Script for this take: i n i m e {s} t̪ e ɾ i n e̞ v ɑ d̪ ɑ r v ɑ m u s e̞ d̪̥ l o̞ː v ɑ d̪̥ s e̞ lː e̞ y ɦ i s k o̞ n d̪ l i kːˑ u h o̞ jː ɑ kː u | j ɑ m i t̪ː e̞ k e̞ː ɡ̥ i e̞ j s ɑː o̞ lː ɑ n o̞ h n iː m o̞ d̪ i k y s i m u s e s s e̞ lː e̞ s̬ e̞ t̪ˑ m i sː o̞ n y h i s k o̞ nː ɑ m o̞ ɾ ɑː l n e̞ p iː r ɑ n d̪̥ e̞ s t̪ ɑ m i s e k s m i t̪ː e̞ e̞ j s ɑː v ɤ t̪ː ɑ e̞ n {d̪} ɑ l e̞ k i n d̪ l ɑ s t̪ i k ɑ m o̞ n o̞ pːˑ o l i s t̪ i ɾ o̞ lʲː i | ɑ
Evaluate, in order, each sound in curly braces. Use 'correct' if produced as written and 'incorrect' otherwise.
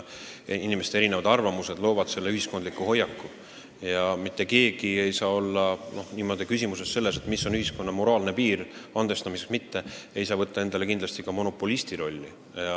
correct, correct

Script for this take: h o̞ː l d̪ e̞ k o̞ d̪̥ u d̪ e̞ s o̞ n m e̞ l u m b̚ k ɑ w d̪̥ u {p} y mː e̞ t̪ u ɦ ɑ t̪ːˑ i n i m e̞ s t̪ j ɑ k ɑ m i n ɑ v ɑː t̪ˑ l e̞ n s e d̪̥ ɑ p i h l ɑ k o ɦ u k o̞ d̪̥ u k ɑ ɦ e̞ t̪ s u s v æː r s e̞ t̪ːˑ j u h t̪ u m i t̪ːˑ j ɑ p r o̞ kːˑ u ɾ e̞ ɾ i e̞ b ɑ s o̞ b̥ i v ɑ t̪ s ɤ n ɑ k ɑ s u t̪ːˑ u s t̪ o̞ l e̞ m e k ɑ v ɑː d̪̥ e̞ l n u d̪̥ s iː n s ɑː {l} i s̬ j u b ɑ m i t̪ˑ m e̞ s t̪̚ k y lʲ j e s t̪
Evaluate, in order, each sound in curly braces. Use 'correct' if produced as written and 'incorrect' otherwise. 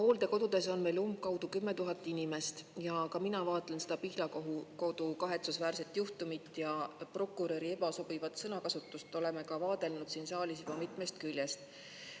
incorrect: k, correct

